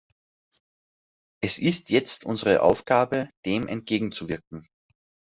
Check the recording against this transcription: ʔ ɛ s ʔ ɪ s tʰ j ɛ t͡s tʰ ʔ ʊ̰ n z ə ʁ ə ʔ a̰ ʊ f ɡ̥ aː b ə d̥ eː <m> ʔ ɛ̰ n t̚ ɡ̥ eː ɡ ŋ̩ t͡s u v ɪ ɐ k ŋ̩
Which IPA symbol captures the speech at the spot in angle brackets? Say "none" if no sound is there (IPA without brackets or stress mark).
m